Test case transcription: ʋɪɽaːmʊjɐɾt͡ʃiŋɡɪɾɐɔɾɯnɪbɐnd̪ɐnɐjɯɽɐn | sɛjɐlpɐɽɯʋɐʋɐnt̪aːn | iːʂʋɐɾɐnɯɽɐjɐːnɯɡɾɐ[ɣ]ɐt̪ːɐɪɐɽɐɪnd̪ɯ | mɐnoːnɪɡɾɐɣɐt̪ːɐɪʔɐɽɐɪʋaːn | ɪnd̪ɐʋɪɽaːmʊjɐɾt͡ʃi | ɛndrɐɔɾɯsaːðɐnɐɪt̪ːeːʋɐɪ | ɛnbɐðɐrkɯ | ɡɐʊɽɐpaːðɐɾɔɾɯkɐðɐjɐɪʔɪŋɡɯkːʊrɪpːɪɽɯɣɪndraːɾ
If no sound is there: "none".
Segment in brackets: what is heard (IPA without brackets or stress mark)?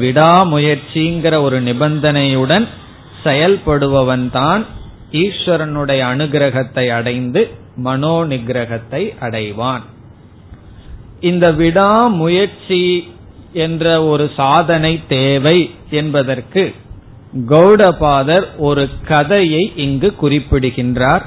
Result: ɣ